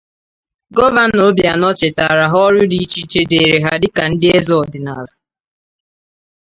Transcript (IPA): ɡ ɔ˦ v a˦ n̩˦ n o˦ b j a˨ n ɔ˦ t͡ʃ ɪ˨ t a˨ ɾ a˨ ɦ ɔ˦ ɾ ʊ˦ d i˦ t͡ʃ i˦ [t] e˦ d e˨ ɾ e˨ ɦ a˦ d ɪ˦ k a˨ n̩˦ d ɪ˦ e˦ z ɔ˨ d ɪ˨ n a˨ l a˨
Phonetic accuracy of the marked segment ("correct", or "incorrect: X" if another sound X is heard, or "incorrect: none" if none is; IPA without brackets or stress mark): incorrect: t͡ʃ